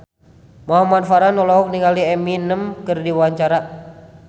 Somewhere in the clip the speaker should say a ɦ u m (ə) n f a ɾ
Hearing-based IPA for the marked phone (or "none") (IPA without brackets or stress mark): a